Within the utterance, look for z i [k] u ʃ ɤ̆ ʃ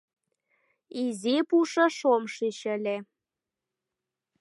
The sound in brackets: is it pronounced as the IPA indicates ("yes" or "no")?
no